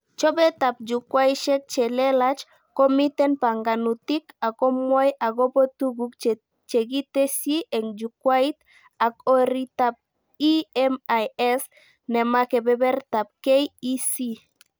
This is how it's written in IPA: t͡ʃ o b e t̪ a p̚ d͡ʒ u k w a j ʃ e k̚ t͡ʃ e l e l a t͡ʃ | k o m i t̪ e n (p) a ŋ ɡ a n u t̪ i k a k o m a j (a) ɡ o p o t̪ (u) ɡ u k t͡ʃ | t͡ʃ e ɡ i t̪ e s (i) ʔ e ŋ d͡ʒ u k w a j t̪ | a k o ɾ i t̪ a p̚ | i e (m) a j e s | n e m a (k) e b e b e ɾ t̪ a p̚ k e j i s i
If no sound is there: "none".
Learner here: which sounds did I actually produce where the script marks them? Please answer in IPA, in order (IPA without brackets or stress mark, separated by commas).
p, a, u, i, m, k